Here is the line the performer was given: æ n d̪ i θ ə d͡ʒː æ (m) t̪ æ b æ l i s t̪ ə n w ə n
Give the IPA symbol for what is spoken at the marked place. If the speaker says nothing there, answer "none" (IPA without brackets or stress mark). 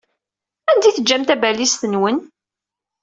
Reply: m